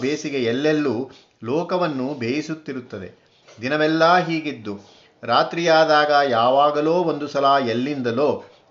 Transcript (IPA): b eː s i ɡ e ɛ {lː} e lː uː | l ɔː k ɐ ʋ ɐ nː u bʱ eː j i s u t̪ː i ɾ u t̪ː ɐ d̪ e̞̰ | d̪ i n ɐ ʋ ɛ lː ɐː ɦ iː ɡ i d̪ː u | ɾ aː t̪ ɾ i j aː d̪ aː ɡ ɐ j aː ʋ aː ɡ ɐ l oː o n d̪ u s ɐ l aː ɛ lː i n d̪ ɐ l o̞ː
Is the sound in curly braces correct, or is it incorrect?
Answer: correct